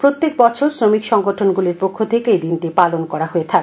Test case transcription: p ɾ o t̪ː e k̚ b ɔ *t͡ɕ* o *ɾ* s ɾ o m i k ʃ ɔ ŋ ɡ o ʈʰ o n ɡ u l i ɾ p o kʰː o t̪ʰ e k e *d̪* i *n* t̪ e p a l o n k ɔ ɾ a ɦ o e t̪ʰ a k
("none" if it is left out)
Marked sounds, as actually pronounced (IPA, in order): t͡ɕʰ, ɾ, d̪, n

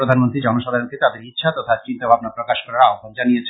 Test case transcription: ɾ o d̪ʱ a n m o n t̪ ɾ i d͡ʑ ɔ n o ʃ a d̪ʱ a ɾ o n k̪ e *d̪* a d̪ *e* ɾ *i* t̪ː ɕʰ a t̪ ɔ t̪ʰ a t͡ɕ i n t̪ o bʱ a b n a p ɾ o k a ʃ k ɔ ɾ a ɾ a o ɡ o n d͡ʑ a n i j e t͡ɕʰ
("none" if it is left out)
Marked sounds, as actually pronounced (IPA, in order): t̪, e, i

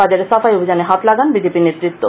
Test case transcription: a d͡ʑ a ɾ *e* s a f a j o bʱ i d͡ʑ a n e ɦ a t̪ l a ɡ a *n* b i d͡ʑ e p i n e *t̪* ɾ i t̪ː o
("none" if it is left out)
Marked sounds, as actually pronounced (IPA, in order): e, n, t̪

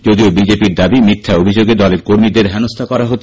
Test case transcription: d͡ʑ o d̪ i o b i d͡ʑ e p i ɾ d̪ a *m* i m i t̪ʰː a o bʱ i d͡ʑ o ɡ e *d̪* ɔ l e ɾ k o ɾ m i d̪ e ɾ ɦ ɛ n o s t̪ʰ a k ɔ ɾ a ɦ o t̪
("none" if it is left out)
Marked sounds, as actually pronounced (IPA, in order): b, d̪

